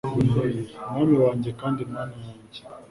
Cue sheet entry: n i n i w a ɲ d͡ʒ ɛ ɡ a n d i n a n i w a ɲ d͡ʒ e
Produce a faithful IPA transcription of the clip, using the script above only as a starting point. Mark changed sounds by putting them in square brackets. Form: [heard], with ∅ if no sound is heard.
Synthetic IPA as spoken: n [a] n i w a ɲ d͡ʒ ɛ [k] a n d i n a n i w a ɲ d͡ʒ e